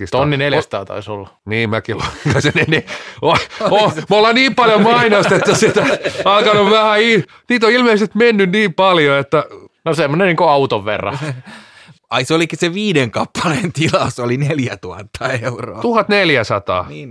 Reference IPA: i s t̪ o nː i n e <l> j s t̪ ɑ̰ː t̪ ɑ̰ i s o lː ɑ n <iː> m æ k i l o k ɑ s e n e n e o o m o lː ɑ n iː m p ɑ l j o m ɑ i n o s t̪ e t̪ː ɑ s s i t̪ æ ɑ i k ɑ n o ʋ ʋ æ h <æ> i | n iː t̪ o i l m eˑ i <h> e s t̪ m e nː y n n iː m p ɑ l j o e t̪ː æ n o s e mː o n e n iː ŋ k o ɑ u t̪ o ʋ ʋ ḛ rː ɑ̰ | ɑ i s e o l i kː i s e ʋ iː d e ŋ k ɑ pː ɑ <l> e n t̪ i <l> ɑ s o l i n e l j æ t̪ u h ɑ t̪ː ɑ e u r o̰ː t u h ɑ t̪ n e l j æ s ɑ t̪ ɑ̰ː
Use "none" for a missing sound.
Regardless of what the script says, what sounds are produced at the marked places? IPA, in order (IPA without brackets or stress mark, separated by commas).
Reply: l, iː, æ, s, l, l